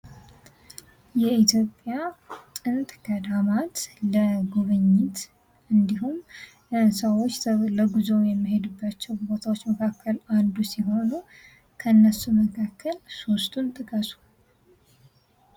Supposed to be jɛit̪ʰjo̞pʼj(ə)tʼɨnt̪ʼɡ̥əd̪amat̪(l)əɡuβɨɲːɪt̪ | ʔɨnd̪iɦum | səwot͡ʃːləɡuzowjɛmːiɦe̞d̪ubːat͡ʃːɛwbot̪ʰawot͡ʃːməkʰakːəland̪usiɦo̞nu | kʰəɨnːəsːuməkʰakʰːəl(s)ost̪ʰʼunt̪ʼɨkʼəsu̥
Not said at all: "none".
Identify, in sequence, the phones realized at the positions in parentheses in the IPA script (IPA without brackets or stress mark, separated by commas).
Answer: a, l, s